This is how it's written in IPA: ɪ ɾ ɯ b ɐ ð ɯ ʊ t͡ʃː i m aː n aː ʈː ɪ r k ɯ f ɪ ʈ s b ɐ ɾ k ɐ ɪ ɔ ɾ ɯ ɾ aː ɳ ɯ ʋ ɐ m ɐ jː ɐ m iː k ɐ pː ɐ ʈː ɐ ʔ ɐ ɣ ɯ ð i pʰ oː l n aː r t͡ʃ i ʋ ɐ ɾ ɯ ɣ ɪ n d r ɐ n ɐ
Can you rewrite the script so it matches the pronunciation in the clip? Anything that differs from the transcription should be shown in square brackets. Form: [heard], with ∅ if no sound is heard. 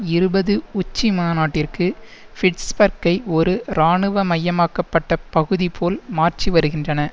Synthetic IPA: ɪ ɾ ɯ b ɐ ð ɯ ʊ t͡ʃː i m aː n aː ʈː ɪ r k ɯ f ɪ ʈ s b ɐ ɾ k ɐ ɪ ɔ ɾ ɯ ɾ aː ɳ ɯ ʋ ɐ m ɐ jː ɐ m [aː] k ɐ pː ɐ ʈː ɐ [p] ɐ ɣ ɯ ð i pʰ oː l [m] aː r t͡ʃ i ʋ ɐ ɾ ɯ ɣ ɪ n d r ɐ n ɐ